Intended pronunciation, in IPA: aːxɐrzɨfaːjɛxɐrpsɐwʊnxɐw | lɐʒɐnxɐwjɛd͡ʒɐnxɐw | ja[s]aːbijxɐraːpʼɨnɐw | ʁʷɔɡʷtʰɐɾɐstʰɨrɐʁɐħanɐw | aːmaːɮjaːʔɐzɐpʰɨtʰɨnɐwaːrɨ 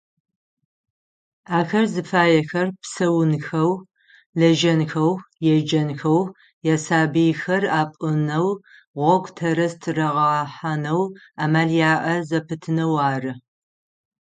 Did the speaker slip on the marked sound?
no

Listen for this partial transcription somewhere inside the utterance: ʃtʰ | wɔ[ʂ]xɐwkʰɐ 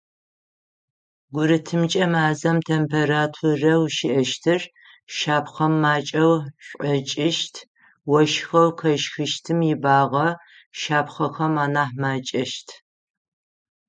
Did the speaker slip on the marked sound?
yes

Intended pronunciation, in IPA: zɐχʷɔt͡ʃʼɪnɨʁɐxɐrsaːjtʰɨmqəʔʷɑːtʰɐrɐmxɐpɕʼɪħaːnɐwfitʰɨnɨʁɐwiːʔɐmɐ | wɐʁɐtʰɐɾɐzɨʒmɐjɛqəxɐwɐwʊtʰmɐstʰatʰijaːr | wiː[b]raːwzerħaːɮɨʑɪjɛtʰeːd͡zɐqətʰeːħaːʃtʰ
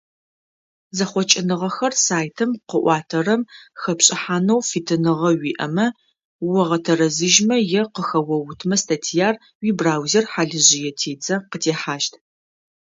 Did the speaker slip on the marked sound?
no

